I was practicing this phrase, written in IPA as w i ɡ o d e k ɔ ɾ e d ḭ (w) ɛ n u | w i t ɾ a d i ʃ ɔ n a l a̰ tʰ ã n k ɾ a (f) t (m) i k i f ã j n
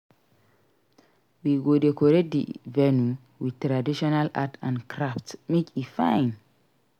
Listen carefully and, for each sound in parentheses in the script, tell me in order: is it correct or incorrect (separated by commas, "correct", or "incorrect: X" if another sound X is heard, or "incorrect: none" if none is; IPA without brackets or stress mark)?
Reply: incorrect: v, correct, correct